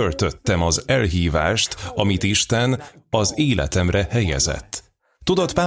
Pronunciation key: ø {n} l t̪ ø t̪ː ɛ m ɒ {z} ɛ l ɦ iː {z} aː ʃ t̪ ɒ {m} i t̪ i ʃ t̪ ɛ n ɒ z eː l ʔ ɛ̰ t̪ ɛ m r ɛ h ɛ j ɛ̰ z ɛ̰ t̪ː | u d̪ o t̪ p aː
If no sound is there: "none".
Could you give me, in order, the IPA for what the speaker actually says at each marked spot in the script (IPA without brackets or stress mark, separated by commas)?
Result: none, z, v, m